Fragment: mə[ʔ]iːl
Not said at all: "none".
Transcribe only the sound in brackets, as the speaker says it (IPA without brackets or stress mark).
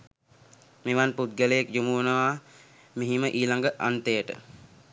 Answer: ʔ